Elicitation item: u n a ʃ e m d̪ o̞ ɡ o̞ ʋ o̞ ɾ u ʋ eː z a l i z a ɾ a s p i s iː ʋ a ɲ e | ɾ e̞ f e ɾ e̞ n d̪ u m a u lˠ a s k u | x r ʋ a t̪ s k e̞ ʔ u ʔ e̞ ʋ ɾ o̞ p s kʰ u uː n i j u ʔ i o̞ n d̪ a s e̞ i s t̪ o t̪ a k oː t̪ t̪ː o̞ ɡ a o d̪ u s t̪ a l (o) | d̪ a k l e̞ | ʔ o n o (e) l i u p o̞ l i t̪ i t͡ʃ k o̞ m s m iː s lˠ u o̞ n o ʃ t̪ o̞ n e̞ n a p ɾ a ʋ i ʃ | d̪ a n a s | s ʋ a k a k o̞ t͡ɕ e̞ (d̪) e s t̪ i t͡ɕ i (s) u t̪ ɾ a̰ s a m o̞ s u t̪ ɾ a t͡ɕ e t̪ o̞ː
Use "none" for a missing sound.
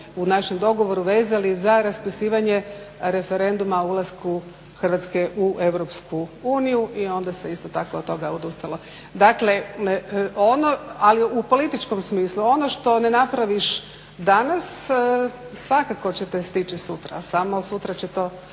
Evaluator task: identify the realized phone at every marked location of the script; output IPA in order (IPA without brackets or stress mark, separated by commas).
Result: o, a, t̪, s